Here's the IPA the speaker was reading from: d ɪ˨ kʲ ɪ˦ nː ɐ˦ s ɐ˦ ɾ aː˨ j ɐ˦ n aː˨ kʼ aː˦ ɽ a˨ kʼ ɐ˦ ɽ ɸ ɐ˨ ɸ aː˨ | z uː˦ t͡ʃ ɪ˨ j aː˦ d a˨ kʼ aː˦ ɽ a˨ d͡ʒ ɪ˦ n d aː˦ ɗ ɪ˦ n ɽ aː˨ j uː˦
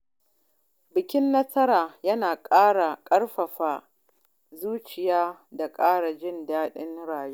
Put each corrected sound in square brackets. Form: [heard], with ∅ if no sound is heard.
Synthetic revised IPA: [b] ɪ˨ kʲ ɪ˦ nː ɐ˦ s ɐ˦ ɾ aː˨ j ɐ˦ n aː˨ kʼ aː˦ ɽ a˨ kʼ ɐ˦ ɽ ɸ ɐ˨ ɸ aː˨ | z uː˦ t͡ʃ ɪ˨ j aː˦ d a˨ kʼ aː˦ ɽ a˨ d͡ʒ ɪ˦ n d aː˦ ɗ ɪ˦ n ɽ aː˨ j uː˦